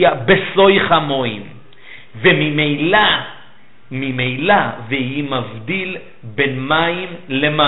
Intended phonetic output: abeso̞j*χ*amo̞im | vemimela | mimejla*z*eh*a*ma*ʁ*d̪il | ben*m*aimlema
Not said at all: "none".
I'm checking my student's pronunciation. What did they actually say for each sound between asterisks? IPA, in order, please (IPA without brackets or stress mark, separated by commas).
χ, v, i, v, m